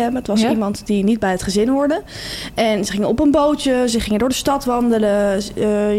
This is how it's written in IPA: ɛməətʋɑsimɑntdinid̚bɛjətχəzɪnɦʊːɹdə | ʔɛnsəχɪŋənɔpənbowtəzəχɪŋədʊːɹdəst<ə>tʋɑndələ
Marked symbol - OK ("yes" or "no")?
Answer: no